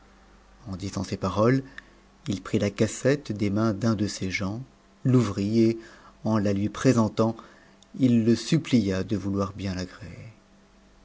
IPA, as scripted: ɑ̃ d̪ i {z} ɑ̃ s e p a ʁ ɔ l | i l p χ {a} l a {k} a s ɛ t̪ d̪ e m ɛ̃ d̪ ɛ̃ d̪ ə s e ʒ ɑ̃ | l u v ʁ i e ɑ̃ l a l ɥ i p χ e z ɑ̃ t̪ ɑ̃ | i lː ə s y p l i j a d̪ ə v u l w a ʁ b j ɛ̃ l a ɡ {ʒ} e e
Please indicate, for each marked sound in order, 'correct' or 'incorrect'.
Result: correct, incorrect, correct, incorrect

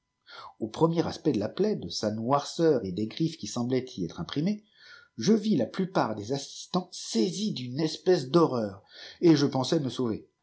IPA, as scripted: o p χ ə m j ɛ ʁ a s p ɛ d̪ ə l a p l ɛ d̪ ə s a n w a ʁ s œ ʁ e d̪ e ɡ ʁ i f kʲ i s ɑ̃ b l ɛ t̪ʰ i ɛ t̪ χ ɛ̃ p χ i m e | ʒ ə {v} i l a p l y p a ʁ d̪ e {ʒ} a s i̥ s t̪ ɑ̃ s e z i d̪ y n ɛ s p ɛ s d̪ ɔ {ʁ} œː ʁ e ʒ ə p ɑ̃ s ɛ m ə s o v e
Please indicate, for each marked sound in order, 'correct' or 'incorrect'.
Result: correct, incorrect, correct

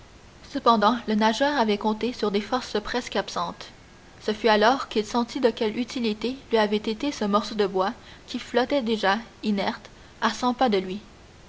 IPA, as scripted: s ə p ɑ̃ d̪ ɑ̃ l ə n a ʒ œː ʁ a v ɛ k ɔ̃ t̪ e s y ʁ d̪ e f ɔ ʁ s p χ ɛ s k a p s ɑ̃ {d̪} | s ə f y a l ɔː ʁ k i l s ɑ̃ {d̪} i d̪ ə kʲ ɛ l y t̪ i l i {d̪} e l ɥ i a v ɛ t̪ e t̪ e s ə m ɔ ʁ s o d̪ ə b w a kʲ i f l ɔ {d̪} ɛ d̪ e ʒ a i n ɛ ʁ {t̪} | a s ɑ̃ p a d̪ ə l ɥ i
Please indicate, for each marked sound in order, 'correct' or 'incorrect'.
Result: incorrect, incorrect, incorrect, incorrect, correct

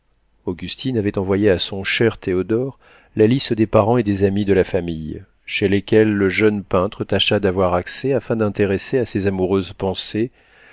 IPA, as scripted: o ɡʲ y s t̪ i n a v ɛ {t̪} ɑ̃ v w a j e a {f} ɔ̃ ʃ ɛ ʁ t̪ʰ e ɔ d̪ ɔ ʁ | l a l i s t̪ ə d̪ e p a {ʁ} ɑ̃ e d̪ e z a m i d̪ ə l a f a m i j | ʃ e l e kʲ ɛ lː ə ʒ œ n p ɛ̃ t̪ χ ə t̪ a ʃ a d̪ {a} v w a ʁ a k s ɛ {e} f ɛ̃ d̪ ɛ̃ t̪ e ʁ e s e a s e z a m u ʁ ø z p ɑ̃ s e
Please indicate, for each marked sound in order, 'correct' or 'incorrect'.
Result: correct, incorrect, correct, correct, incorrect

